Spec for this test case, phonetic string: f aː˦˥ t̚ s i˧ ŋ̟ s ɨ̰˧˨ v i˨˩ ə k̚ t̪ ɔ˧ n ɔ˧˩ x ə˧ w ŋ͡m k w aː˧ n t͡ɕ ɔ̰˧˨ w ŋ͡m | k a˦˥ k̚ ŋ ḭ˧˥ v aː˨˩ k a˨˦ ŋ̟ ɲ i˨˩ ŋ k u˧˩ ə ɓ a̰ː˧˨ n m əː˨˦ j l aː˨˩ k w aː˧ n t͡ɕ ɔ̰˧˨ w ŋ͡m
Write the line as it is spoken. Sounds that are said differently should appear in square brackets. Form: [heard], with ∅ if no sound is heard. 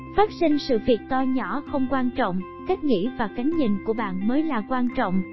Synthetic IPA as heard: f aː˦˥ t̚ s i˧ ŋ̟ s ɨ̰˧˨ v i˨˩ ə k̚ t̪ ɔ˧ [ɲ] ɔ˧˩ x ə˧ w ŋ͡m k w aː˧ n t͡ɕ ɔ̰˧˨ w ŋ͡m | k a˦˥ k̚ ŋ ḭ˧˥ v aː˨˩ k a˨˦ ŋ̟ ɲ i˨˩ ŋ k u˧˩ ə ɓ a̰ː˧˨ n m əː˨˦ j l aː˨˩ k w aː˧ n t͡ɕ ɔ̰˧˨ w ŋ͡m